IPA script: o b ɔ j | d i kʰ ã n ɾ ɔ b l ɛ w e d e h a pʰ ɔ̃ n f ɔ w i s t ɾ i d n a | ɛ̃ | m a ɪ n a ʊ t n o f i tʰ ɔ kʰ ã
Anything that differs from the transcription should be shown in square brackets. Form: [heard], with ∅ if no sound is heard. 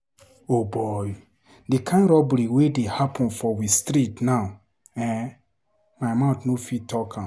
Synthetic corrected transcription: o b ɔ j | d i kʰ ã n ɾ ɔ b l [i] w e d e h a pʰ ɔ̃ n f ɔ w i s t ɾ i [t] n a | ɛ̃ | m a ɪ [m] a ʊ t n o f i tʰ ɔ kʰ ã